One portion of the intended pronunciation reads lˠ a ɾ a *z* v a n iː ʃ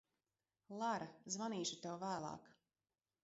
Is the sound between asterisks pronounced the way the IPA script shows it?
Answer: yes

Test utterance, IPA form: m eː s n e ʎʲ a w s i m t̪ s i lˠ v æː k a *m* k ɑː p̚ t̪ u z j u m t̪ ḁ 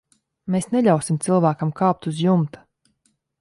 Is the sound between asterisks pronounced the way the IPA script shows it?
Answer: yes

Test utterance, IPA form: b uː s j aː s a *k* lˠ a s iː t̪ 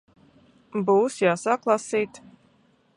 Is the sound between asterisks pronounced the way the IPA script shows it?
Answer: yes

